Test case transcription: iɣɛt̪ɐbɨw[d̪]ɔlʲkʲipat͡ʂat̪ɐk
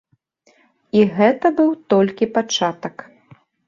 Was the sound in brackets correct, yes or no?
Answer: no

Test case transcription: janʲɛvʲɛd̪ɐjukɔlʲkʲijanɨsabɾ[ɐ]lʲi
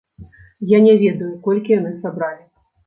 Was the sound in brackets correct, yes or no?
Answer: no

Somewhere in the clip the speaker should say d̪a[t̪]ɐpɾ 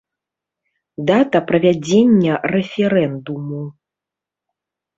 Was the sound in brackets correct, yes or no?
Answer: yes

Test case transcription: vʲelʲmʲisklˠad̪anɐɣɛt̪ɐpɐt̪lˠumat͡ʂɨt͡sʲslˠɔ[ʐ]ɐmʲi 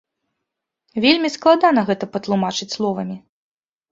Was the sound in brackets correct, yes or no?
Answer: no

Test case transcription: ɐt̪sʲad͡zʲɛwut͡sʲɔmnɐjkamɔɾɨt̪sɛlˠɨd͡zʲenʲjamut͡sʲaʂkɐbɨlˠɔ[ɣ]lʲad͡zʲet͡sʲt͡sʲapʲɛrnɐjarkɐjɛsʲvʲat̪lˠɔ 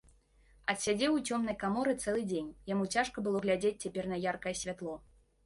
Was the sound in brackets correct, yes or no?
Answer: yes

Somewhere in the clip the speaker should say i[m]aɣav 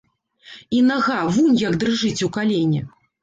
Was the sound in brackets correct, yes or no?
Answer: no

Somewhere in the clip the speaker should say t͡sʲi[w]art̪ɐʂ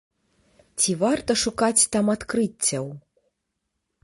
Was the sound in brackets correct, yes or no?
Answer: no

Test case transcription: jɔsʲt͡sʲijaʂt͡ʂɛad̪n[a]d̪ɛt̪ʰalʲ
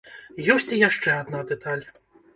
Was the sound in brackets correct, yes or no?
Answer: yes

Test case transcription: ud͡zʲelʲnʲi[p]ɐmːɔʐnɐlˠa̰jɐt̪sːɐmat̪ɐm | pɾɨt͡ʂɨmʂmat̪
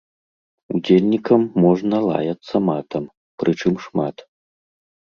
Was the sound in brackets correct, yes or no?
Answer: no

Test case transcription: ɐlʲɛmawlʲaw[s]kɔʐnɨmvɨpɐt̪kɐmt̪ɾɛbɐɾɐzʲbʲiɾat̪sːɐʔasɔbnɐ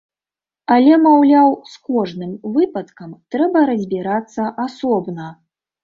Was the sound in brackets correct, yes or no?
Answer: yes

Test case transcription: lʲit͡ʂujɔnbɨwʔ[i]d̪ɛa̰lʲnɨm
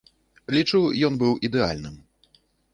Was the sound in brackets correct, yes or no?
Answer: yes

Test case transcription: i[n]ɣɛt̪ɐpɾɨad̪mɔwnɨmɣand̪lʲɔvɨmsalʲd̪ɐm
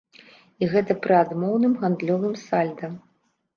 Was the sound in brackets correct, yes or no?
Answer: no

